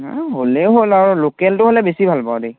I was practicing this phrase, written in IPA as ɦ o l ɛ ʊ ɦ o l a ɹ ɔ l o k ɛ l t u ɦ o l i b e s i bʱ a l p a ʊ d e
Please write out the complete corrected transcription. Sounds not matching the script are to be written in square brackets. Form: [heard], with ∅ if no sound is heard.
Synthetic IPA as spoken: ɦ o l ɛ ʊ ɦ o l a ɹ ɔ l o k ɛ l t [ʊ] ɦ o l [ɛ] b e s i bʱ a l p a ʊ d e